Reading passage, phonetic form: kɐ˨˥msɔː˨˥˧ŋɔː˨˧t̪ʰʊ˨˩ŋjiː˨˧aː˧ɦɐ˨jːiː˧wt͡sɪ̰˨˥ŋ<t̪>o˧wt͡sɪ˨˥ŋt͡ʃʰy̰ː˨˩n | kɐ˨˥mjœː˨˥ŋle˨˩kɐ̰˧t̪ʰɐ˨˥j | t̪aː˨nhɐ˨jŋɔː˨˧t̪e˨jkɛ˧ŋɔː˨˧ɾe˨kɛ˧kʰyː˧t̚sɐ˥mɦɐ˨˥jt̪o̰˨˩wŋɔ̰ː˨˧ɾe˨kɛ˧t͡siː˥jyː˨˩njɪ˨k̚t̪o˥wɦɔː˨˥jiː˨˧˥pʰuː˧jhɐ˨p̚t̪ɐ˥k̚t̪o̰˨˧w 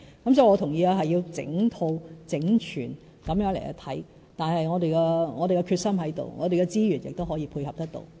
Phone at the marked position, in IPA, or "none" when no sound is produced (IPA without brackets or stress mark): t̪ʰ